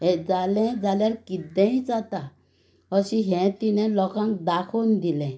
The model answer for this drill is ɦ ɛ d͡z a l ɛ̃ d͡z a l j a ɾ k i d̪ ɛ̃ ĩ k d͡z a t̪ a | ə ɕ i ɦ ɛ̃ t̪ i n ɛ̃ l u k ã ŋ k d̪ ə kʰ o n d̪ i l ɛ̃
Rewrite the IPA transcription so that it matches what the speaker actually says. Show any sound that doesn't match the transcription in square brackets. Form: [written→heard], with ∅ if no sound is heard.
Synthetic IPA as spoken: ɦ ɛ d͡z a l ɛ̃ d͡z a l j a ɾ k i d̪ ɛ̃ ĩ [k→∅] d͡z a t̪ a | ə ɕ i ɦ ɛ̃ t̪ i n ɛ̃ l [u→ɔ] k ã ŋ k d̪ [ə→a] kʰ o n d̪ i l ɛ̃